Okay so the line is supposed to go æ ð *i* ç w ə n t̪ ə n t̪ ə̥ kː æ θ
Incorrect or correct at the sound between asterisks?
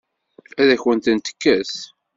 incorrect: æ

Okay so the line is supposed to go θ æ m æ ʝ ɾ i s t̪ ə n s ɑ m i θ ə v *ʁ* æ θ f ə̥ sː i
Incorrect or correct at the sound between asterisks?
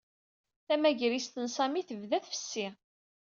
incorrect: ð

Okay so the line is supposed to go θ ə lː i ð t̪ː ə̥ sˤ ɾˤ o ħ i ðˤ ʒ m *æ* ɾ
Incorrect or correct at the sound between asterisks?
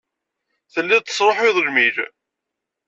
incorrect: i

